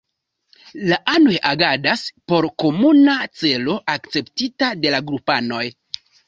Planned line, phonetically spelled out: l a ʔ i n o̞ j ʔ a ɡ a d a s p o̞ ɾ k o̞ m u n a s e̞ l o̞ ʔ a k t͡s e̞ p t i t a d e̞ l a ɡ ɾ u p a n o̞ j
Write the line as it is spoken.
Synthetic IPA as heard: l a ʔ a n o̞ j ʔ a ɡ a d a s p o̞ ɾ k o̞ m u n a t͡s e̞ l o̞ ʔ a k t͡s e̞ p t i t a d e̞ l a ɡ ɾ u p a n o̞ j